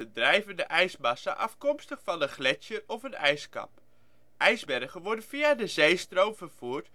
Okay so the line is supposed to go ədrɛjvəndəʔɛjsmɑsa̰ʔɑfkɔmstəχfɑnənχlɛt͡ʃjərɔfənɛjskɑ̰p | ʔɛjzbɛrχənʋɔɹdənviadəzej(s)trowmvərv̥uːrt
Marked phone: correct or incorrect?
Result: correct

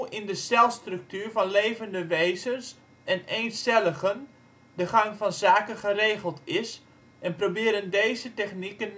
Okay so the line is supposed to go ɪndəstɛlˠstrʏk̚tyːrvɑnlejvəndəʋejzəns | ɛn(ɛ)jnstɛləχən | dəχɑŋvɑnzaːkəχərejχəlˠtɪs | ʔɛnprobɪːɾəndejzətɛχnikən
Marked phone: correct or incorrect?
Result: incorrect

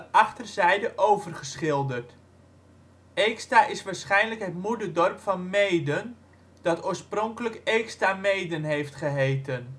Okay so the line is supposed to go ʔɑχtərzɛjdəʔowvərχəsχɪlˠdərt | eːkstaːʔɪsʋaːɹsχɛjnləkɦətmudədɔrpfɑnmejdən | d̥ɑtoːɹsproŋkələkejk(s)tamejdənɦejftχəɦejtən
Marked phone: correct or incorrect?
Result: correct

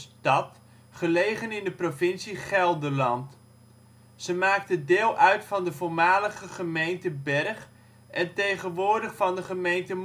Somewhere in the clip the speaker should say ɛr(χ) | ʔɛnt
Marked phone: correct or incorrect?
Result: correct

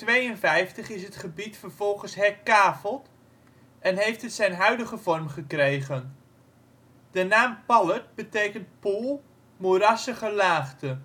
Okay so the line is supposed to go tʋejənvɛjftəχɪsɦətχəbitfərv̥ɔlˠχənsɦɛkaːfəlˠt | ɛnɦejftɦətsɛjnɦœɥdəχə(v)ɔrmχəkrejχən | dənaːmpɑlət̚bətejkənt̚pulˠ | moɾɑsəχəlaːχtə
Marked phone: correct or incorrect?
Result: correct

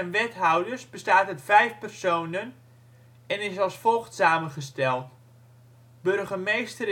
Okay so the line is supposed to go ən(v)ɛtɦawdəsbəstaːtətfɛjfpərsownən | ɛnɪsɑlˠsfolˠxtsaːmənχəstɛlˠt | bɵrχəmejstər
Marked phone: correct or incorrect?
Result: incorrect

